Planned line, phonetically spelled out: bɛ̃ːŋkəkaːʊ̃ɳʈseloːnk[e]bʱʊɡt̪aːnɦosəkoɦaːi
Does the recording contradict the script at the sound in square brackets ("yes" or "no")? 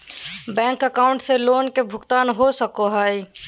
no